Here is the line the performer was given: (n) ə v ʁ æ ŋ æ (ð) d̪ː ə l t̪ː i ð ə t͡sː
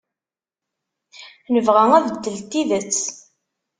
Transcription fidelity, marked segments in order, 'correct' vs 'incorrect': correct, correct

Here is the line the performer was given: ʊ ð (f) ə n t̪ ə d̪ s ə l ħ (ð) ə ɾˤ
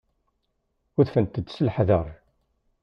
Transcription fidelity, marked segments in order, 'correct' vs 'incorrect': correct, correct

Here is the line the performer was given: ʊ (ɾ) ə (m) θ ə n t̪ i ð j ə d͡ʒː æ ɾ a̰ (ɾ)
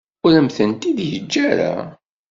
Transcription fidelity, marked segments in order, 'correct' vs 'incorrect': correct, correct, incorrect: none

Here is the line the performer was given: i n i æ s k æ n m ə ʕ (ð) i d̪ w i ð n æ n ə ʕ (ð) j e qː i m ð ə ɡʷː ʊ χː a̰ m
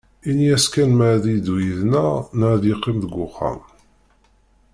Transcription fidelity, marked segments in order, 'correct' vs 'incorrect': correct, correct

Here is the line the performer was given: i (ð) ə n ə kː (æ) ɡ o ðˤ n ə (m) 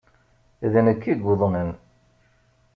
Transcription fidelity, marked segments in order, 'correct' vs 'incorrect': correct, incorrect: i, incorrect: n

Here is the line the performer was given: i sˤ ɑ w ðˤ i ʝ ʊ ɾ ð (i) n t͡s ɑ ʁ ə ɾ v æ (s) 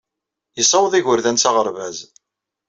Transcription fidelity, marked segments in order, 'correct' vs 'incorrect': incorrect: æ, incorrect: z

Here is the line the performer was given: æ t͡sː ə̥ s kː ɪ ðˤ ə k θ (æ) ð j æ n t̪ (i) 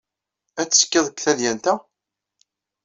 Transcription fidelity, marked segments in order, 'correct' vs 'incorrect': correct, incorrect: æ

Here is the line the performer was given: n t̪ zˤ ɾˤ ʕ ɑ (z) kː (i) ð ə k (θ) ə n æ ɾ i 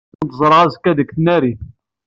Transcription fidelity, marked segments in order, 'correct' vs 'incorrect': correct, incorrect: æ, correct

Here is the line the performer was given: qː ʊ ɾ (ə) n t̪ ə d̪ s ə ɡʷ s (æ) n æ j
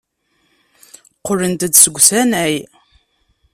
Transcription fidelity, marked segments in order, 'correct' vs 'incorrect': correct, correct

